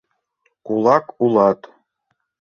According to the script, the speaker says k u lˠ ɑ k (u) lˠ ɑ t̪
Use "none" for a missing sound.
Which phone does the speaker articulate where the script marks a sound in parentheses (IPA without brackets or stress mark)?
u